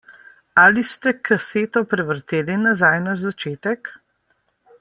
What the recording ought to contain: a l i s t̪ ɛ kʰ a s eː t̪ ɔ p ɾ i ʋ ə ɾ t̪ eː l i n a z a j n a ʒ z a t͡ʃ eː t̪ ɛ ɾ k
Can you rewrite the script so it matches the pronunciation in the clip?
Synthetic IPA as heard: a l i s t̪ ɛ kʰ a s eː t̪ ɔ p ɾ ɛ ʋ ə ɾ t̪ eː l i n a z a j n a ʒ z a t͡ʃ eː t̪ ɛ k